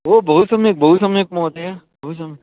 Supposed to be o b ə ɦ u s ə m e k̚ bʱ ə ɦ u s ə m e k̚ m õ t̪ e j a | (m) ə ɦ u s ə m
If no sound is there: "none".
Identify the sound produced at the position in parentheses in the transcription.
b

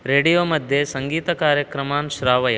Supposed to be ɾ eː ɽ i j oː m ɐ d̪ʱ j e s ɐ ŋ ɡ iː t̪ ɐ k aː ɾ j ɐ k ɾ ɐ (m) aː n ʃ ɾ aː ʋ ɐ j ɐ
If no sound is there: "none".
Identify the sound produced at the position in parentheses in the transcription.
m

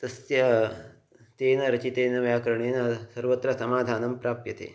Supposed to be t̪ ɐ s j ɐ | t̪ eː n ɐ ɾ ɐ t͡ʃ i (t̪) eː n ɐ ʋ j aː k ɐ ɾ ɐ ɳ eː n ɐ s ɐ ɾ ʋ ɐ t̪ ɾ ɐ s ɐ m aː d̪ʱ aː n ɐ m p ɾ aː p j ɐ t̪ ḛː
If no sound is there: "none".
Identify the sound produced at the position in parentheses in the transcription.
t̪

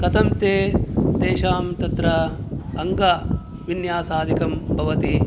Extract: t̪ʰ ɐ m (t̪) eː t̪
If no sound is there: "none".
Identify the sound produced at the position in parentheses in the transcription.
t̪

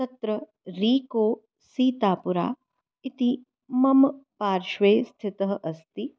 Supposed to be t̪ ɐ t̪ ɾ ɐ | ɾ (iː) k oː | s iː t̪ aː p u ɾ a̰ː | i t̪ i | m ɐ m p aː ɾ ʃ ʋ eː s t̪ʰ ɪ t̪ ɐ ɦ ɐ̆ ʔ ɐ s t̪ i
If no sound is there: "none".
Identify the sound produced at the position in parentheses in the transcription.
iː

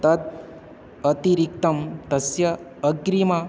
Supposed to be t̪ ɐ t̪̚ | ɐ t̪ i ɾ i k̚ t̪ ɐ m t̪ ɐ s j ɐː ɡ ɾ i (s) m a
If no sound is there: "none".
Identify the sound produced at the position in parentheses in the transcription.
none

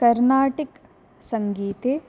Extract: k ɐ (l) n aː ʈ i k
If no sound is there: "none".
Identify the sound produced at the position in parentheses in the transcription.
ɾ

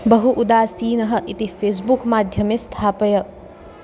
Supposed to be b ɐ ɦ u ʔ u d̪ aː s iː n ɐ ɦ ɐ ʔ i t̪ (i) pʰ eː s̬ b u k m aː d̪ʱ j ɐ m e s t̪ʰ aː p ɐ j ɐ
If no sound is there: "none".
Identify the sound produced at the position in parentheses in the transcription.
i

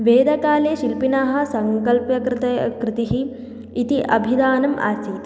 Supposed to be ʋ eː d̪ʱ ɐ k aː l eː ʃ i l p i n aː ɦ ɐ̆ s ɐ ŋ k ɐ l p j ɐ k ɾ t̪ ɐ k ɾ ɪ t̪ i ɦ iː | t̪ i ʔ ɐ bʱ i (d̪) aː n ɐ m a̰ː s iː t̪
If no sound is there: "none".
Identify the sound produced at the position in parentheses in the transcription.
d̪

